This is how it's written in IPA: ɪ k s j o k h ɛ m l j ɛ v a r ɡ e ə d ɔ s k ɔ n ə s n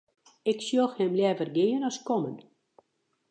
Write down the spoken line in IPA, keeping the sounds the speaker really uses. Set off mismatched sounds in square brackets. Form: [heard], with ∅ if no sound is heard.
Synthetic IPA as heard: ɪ k s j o [x] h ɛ m l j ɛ v [ə] r ɡ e ə [n] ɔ s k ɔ [m] ə [∅] n